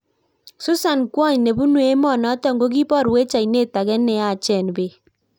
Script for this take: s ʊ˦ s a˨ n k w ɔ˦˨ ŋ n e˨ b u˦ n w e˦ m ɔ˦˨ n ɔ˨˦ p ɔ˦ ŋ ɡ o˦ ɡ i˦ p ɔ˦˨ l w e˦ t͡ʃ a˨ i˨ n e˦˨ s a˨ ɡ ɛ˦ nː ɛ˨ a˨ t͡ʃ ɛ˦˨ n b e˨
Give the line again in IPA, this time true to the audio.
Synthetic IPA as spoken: s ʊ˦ s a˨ n k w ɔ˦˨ ɲ n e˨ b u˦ n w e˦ m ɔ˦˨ n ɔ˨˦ t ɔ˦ ŋ ɡ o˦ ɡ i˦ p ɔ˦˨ ɾ w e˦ t͡ʃ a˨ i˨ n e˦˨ t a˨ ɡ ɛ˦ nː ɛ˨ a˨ t͡ʃ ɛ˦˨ n b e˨